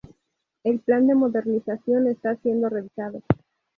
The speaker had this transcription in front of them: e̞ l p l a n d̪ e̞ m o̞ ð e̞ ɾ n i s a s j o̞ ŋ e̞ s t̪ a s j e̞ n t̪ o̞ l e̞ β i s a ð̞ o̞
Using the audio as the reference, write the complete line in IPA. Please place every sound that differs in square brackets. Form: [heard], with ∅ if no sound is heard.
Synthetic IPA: e̞ l p l a n d̪ e̞ m o̞ ð e̞ ɾ n i s a s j o̞ [n] e̞ s t̪ a s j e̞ n [d̪] o̞ [r] e̞ β i s a ð̞ o̞